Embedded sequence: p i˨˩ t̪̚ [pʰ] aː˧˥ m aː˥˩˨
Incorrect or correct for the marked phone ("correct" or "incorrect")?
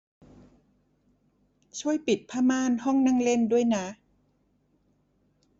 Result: correct